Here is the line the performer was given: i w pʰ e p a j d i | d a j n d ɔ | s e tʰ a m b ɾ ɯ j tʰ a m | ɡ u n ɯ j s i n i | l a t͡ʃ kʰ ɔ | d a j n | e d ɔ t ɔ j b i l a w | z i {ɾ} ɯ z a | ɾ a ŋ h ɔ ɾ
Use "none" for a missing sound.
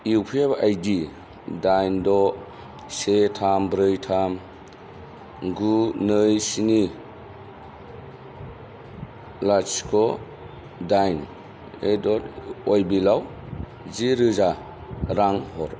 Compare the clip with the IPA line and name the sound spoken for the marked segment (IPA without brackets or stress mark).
ɾ